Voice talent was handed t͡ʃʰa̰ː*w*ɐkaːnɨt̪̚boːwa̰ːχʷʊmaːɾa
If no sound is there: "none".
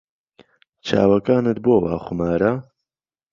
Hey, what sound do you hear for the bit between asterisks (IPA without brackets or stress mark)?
w